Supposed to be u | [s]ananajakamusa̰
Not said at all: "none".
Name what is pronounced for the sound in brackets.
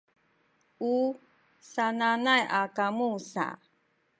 s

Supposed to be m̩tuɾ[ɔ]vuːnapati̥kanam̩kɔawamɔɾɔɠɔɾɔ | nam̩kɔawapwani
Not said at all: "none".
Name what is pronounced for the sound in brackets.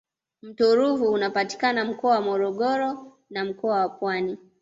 u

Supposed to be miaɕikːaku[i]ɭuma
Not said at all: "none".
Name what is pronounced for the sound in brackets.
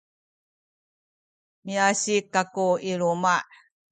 i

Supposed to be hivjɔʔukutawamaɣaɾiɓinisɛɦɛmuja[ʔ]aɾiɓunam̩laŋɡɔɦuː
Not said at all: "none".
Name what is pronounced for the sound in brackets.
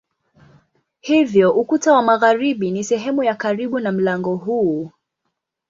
k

